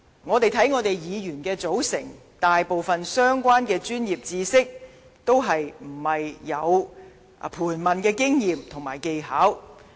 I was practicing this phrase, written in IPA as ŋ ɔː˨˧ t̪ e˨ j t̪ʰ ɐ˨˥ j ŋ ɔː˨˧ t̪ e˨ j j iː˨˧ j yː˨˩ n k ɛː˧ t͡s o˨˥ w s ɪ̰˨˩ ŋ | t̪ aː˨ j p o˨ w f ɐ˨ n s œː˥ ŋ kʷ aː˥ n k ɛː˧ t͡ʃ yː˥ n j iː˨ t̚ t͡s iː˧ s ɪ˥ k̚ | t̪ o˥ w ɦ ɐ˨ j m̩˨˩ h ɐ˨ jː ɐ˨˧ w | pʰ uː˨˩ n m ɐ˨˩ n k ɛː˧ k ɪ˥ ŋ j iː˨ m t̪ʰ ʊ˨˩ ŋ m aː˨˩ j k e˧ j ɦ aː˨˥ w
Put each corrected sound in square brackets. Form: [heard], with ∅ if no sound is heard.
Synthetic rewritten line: ŋ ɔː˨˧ t̪ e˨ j t̪ʰ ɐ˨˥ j ŋ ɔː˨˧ t̪ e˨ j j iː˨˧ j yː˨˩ n k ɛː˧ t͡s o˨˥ w s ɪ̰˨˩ ŋ | t̪ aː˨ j p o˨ w f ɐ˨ n s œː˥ ŋ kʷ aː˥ n k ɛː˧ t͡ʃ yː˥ n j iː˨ [p̚] t͡s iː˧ s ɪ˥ k̚ | t̪ o˥ w ɦ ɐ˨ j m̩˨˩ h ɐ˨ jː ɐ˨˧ w | pʰ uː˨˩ n m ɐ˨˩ n k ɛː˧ k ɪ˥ ŋ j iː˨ m t̪ʰ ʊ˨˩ ŋ m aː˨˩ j k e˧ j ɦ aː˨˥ w

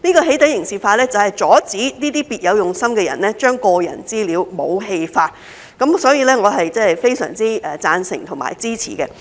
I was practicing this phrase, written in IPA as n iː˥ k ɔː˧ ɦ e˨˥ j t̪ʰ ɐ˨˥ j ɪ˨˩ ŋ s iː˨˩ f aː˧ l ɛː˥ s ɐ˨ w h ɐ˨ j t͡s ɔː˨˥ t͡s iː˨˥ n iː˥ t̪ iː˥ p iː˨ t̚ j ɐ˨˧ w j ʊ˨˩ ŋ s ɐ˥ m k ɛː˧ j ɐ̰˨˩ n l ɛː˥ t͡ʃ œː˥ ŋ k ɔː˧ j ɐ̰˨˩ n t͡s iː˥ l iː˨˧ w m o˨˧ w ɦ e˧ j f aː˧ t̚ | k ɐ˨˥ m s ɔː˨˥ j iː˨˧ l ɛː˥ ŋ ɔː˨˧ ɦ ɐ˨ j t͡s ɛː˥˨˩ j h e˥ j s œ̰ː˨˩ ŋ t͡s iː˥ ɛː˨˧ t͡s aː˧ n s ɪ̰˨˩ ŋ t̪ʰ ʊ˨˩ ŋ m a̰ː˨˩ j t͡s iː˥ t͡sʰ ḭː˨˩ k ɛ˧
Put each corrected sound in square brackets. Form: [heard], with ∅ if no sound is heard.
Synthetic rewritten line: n iː˥ k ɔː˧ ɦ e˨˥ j [t̪] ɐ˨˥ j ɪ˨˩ ŋ s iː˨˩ f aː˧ l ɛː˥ [t͡s] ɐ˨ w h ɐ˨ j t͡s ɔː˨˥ t͡s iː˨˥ n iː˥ t̪ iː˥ p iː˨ t̚ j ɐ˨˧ w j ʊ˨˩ ŋ s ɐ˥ m k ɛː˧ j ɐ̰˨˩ n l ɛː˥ t͡ʃ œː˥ ŋ k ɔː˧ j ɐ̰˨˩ n t͡s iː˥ l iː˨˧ w m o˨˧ w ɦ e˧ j f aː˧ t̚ | k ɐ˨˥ m s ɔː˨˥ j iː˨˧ l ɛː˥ ŋ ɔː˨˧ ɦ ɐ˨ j t͡s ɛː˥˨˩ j [f] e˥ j s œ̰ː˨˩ ŋ t͡s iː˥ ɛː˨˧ t͡s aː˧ n s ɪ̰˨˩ ŋ t̪ʰ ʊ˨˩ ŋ m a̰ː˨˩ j t͡s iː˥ t͡sʰ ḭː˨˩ k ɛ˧

